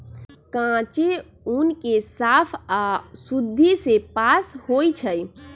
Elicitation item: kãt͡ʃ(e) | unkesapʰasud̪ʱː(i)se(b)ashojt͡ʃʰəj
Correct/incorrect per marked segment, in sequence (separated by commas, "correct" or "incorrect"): correct, correct, incorrect